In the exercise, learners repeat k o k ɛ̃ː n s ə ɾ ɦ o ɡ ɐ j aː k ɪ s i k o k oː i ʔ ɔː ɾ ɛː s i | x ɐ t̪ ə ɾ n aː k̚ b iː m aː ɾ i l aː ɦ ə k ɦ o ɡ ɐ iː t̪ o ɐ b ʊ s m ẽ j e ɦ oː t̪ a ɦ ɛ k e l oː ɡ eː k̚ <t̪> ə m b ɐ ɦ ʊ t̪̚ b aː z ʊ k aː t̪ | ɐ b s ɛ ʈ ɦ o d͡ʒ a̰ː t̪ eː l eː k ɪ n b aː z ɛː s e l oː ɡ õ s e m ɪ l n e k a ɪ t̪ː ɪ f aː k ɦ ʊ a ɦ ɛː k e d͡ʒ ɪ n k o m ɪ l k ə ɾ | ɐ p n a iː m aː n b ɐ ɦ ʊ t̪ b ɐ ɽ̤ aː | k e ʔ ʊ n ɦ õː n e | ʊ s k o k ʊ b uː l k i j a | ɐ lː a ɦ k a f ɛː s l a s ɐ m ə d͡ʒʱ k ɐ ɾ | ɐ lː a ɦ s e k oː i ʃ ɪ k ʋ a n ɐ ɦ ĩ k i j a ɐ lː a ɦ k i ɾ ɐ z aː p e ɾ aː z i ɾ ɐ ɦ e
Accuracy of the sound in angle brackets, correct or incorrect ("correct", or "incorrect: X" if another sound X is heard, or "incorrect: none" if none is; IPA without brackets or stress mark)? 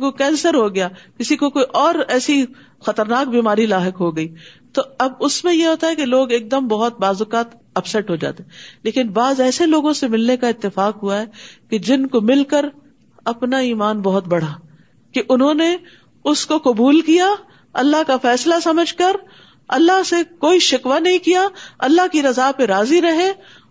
incorrect: d̪